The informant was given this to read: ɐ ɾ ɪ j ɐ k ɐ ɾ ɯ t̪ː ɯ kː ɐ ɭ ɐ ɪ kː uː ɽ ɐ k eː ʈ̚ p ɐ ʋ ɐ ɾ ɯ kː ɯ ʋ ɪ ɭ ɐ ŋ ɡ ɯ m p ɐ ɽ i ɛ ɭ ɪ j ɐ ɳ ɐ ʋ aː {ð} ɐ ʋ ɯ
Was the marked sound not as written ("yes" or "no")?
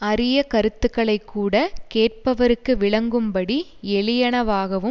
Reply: yes